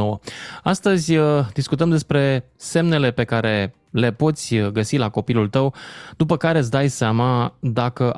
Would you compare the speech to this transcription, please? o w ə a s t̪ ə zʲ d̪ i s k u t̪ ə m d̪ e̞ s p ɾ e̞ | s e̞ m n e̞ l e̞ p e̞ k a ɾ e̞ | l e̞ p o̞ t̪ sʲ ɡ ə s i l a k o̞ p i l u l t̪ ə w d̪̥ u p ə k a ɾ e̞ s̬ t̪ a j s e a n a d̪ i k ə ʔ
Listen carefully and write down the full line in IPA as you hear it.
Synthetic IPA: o w ə a s t̪ ə zʲ d̪ i s k u t̪ ə m d̪ e̞ s p ɾ e̞ | s e̞ m n e̞ l e̞ p e̞ k a ɾ e̞ | l e̞ p o̞ t̪ sʲ ɡ ə s i l a k o̞ p i l u l t̪ ə w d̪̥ u p ə k a ɾ e̞ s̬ d̪ a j s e a m a d̪ a k ə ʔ